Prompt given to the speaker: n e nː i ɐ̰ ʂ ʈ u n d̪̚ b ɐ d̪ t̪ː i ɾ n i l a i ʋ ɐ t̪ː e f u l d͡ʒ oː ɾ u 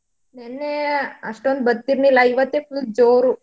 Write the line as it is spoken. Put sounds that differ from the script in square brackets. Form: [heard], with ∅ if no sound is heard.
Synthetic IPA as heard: n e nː [e] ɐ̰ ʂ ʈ [o] n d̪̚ b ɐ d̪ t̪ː i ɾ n i l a i ʋ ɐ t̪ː e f u l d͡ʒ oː ɾ u